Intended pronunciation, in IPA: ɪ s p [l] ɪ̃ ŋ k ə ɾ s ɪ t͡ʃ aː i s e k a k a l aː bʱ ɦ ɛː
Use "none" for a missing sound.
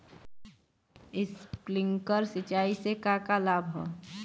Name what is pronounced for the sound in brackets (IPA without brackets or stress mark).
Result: l